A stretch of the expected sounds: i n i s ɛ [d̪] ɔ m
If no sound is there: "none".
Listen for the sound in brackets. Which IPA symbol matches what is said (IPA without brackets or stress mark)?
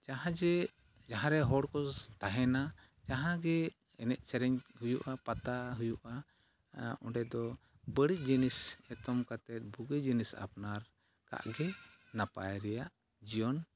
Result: t̪